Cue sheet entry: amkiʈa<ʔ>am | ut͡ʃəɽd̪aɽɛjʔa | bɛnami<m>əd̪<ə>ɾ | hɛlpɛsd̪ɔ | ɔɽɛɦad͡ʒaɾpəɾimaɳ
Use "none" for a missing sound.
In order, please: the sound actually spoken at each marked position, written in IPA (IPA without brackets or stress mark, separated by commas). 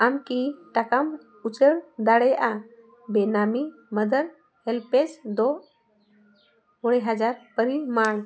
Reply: k, m, ə